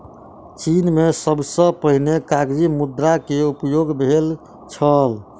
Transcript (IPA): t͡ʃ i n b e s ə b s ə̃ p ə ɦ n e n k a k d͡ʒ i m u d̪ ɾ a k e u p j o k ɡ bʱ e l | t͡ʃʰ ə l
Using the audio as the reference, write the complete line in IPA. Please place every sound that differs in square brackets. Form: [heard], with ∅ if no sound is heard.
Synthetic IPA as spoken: t͡ʃ i n [m] e s ə b s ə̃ p ə ɦ n e [∅] k a [ɡ] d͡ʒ i m u d̪ ɾ a k e u p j o [∅] ɡ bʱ e l | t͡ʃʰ ə l